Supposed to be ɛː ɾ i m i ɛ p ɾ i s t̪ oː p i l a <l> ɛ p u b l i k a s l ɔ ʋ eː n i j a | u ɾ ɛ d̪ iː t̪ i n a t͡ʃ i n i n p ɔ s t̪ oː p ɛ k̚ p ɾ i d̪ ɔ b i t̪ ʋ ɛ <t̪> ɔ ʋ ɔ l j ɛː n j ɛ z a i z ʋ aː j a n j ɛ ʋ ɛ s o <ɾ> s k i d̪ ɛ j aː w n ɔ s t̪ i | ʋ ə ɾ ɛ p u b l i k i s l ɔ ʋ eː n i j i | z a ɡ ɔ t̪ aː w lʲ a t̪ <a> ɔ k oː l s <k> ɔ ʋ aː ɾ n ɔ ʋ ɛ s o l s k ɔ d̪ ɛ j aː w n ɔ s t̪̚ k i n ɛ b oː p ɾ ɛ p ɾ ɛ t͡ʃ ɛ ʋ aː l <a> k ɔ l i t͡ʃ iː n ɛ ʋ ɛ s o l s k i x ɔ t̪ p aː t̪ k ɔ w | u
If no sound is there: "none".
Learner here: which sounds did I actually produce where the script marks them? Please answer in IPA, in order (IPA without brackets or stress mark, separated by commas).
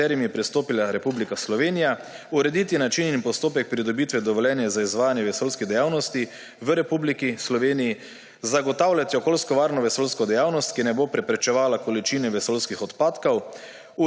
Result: ɾ, d̪, l, i, k, a